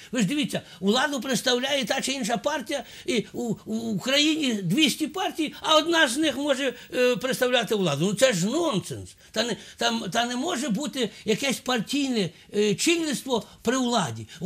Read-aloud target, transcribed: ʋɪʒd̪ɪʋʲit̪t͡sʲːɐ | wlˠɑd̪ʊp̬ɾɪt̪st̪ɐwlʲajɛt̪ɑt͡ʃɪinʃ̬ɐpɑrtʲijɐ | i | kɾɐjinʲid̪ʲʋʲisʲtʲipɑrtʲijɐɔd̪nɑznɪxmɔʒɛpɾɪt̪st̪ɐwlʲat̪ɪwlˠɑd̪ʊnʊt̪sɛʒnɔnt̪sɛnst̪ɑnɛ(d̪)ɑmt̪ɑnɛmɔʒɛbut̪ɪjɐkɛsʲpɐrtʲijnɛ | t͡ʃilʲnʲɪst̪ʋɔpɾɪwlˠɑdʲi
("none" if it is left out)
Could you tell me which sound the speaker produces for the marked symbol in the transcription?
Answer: t̪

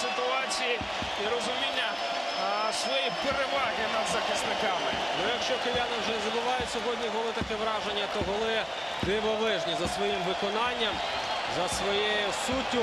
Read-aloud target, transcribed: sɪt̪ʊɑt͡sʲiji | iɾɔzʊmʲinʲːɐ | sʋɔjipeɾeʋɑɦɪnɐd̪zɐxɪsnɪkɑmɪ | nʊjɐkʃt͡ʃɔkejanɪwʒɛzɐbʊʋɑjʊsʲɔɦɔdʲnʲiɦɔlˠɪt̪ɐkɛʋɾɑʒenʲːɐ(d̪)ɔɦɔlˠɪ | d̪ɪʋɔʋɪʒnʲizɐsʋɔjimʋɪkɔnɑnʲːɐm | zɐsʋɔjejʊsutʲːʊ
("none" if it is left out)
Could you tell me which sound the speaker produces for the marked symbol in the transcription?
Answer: t̪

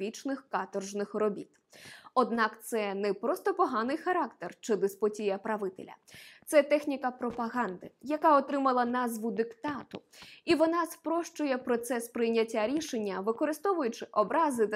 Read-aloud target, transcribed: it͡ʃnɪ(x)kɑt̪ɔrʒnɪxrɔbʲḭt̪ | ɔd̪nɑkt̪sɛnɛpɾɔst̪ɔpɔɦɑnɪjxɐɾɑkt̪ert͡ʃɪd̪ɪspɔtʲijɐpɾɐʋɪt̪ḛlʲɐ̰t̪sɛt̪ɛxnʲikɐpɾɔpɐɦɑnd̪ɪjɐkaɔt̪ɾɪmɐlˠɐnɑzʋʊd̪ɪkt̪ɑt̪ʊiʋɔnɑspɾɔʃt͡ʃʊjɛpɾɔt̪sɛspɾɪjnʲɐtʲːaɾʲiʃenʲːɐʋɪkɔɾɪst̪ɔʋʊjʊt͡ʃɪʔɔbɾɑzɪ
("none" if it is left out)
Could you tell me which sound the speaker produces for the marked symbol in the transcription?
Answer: x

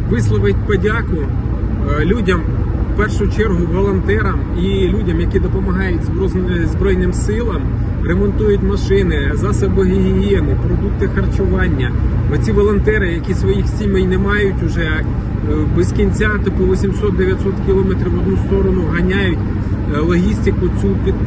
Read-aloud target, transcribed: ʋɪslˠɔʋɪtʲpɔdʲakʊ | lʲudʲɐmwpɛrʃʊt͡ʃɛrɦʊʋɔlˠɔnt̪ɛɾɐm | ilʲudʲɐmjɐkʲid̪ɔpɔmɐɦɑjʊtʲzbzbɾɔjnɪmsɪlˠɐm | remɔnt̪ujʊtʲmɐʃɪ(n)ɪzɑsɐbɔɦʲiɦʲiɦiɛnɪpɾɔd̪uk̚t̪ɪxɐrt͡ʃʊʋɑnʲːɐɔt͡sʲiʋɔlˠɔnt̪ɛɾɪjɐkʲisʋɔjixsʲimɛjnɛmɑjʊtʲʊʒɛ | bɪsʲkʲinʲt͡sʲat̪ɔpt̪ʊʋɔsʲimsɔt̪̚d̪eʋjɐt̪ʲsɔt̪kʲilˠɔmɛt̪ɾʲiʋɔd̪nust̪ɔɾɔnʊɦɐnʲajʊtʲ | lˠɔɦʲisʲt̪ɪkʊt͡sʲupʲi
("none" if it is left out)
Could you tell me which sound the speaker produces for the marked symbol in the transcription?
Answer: n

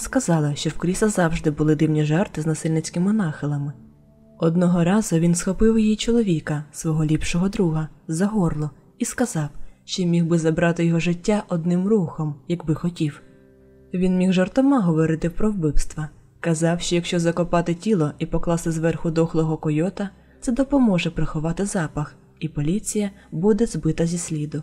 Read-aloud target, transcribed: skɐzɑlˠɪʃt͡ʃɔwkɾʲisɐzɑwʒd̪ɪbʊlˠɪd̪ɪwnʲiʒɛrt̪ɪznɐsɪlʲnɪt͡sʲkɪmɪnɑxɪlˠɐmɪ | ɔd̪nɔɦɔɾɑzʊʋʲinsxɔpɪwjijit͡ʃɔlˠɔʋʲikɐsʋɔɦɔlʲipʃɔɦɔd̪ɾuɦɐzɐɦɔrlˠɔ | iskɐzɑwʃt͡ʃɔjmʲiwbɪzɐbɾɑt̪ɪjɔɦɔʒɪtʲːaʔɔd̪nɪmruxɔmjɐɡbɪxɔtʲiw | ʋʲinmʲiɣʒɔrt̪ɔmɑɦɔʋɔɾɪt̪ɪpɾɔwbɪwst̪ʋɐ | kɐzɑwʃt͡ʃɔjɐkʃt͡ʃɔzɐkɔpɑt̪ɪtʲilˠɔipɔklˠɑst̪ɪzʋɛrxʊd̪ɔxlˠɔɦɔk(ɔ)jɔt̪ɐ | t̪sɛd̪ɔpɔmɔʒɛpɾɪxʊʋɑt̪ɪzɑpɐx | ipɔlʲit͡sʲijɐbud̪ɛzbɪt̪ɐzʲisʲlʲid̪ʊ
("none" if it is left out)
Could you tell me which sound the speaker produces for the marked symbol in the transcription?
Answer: ɔ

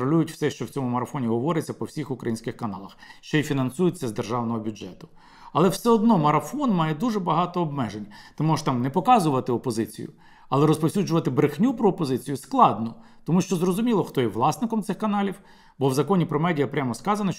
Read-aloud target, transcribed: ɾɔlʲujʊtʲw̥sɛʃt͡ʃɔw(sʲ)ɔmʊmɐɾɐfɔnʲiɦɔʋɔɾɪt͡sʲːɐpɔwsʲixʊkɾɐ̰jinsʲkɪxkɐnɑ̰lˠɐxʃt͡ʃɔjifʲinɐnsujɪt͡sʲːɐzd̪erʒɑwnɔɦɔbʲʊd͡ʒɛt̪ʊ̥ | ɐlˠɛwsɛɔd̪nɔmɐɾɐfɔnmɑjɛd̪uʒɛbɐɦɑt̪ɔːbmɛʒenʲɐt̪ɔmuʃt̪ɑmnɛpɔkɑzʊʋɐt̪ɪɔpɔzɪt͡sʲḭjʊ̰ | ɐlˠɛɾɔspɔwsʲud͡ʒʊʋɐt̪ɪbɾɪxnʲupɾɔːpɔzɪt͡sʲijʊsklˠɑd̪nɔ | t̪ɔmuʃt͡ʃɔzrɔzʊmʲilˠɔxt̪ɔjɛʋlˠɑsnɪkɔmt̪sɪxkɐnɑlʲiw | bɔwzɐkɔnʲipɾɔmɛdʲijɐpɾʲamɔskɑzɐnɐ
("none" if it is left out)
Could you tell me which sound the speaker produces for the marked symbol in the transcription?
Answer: t͡sʲ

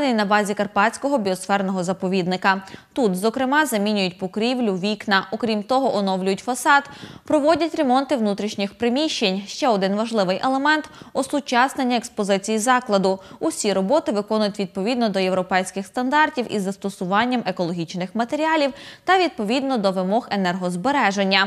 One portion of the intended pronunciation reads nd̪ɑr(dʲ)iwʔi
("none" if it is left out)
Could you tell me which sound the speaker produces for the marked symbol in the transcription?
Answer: tʲ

